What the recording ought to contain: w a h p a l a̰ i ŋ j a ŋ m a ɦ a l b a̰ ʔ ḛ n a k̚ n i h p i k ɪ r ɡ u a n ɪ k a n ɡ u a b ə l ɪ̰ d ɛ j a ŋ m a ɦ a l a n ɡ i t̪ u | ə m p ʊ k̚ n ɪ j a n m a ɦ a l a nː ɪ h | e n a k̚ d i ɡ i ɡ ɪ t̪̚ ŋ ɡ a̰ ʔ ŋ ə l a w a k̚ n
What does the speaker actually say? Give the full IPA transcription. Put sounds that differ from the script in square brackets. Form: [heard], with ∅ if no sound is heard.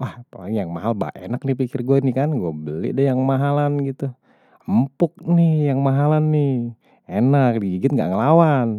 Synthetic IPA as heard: w a h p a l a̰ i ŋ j a ŋ m a ɦ a l b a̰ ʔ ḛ n a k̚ n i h p i k ɪ r ɡ u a n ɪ k a n ɡ u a b ə l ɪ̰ d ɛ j a ŋ m a ɦ a l a n ɡ i t̪ u | ə m p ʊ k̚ n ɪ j a [ŋ] m a ɦ a l a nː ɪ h | e n a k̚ d i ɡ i ɡ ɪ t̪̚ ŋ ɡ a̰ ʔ ŋ ə l a w a [∅] n

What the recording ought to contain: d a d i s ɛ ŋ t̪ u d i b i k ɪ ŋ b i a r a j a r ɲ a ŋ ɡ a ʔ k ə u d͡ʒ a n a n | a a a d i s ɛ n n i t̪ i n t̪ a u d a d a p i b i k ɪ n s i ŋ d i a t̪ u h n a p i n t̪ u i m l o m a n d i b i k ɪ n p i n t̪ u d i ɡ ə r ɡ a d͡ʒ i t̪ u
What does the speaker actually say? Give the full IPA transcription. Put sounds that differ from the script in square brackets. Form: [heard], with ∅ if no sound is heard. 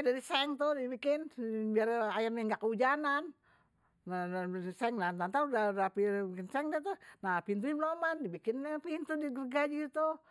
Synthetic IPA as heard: d a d i s ɛ ŋ t̪ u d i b i k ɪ [n] b i a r a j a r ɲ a ŋ ɡ a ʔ k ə u d͡ʒ a n a n | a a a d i s ɛ [ŋ] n [a] t̪ [a] n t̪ a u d a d a p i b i k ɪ n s [ɛ] ŋ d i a t̪ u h n a p i n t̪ u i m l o m a n d i b i k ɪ n p i n t̪ u d i ɡ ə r ɡ a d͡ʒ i t̪ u

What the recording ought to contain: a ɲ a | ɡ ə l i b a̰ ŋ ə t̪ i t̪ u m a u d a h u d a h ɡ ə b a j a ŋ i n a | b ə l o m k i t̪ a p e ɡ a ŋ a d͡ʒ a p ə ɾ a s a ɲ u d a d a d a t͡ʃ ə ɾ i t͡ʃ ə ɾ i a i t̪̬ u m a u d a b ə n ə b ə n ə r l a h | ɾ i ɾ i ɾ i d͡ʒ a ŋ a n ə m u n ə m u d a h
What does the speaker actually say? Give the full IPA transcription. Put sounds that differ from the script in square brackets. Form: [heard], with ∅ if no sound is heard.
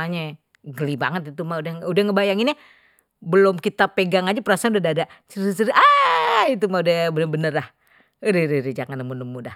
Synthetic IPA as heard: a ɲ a | ɡ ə l i b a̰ ŋ ə t̪ i t̪ u m a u d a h u d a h [ŋ] ə b a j a ŋ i n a | b ə l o m k i t̪ a p e ɡ a ŋ a d͡ʒ a p ə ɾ a s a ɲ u d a d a d a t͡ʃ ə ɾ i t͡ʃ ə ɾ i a i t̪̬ u m a u d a b ə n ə b ə n ə r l a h | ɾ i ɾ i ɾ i d͡ʒ a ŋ a n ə m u n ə m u d a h

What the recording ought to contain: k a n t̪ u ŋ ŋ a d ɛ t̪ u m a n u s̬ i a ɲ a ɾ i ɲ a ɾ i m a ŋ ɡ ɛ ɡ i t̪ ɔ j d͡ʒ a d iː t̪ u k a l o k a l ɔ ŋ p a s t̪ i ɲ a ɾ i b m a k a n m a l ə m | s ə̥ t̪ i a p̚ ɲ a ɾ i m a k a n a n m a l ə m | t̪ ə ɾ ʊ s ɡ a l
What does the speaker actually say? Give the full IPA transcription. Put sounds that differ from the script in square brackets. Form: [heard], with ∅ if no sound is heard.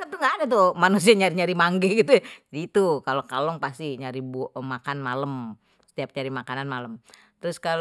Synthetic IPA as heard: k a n t̪ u ŋ [ɡ] a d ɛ t̪ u m a n u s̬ i a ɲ a ɾ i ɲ a ɾ i m a ŋ ɡ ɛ ɡ i t̪ [u] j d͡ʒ a d iː t̪ u k a l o k a l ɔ ŋ p a s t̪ i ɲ a ɾ i b m a k a n m a l ə m | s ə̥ t̪ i a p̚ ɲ a ɾ i m a k a n a n m a l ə m | t̪ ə ɾ ʊ s [k] a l

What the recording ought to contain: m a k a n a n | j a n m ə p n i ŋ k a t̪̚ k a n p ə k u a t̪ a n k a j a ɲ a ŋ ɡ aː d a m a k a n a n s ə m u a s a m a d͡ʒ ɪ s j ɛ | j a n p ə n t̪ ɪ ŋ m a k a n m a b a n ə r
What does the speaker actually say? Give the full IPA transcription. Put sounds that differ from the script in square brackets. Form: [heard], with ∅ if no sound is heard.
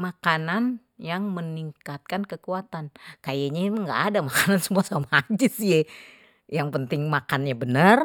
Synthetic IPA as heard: m a k a n a n | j a [ŋ] m ə [∅] n i ŋ k a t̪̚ k a n [k] ə k u a t̪ a n k a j a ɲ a ŋ ɡ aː d a m a k a n a n s ə m u a s a m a d͡ʒ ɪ s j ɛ | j a [ŋ] p ə n t̪ ɪ ŋ m a k a n [ɲ] a b [ə] n ə r

